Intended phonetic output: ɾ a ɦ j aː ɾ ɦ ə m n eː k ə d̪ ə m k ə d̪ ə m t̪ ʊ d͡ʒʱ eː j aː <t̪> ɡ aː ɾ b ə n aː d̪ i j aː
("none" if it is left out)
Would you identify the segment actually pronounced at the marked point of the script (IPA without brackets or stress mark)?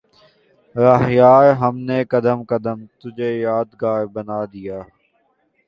d̪